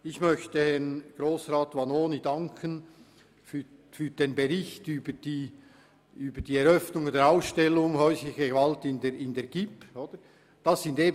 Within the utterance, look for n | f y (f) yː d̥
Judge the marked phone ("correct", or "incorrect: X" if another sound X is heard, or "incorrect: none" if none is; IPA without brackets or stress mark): correct